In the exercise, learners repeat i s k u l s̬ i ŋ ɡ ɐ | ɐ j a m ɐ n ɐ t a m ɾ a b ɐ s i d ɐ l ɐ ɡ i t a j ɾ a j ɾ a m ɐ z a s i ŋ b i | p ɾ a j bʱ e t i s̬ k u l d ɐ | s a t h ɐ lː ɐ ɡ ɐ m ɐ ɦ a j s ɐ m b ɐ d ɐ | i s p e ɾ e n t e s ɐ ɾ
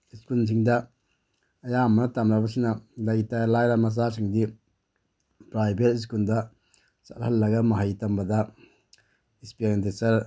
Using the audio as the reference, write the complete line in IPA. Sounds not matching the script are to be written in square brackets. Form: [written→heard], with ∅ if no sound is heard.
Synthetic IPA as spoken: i s k u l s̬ i ŋ [ɡ→d] ɐ | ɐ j a m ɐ n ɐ t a m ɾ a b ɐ s i [d→n] ɐ l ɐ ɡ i t a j [ɾ→l] a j ɾ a m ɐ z a s i ŋ [b→d] i | p ɾ a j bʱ e t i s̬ k u l d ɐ | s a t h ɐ lː ɐ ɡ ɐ m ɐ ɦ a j [s→t] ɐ m b ɐ d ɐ | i s p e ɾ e n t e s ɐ ɾ